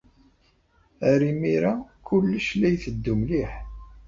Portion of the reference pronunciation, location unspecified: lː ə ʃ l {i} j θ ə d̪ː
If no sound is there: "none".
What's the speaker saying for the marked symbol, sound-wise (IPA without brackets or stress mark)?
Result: æ